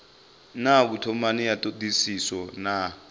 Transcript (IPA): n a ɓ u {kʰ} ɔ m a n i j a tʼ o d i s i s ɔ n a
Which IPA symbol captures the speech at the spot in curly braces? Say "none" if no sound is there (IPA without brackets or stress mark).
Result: tʰ